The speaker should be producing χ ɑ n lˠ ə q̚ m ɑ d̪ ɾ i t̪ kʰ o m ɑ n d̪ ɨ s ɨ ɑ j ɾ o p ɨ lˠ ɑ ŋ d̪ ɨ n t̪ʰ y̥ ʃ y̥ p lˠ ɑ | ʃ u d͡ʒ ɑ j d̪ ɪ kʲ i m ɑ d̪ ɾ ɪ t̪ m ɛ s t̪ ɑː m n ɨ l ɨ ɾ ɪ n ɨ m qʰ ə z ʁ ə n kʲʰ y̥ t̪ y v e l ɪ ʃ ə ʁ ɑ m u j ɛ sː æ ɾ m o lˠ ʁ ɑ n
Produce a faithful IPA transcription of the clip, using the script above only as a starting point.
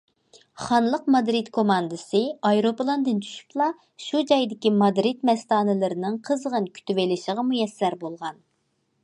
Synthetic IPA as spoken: χ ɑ n lˠ ə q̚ m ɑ d̪ ɾ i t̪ kʰ o m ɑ n d̪ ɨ s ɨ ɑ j ɾ o p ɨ lˠ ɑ n d̪ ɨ n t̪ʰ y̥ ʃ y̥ p lˠ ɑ | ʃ u d͡ʒ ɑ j d̪ ɪ kʲ i m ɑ d̪ ɾ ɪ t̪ m ɛ s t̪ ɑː n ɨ l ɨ ɾ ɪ n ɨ ŋ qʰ ə z ʁ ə n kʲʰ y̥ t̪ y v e l ɪ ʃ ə ʁ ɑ m u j ɛ sː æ ɾ b o lˠ ʁ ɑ n